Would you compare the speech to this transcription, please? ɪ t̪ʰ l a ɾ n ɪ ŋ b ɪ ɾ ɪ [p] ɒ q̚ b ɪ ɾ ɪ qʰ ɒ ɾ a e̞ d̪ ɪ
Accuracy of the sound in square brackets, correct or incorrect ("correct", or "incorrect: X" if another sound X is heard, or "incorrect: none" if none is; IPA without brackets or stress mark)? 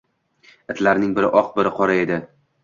incorrect: ʔ